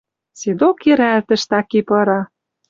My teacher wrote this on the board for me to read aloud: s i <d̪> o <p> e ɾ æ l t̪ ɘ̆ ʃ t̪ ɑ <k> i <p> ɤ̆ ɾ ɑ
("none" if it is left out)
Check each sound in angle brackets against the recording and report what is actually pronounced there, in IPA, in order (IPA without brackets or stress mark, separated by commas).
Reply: d̪, k, k, p